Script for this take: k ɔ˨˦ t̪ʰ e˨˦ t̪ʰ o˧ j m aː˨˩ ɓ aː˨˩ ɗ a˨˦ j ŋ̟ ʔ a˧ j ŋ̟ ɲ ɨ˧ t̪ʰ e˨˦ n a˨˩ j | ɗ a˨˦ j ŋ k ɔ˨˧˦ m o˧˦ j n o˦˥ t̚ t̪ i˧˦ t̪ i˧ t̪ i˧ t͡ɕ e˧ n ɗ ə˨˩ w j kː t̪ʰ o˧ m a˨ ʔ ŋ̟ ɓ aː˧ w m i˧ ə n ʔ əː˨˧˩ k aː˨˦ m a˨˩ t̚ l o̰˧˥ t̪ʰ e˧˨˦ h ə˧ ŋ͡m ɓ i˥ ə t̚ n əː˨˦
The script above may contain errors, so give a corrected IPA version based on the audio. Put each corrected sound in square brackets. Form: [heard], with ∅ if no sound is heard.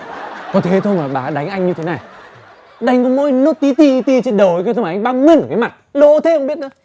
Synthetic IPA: k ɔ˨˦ t̪ʰ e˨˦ t̪ʰ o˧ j m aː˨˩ ɓ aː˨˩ ɗ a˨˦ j ŋ̟ ʔ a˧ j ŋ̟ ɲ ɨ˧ t̪ʰ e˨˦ n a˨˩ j | ɗ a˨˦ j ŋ k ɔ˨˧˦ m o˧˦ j n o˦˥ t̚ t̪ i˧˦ t̪ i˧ t̪ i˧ t͡ɕ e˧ n ɗ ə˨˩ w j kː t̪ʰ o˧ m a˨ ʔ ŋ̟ ɓ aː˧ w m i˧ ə n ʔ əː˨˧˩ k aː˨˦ m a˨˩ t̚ l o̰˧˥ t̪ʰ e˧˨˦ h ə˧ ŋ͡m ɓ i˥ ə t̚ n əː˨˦